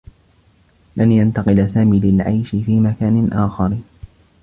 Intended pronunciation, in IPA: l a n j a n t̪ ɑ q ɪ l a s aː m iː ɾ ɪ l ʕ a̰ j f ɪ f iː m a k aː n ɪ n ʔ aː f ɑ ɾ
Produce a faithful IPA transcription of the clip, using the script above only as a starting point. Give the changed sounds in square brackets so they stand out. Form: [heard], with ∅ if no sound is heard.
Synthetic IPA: l a n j a n t̪ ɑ q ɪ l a s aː m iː [l] ɪ l ʕ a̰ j [ʃ] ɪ f iː m a k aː n ɪ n ʔ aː [x] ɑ ɾ